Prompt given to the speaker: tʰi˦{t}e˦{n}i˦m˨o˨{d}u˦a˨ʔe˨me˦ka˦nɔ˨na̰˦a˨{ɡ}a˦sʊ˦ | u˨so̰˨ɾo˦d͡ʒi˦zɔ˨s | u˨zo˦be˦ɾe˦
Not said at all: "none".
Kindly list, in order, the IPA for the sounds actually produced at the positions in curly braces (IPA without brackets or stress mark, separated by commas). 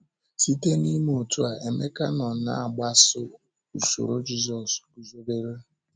t, n, t, ɡ͡b